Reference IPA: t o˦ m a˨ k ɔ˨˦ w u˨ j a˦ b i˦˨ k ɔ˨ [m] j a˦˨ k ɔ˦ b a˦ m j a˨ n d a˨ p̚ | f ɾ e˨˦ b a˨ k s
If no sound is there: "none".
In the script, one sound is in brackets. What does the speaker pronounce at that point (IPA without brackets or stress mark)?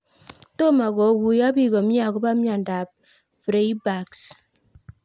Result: m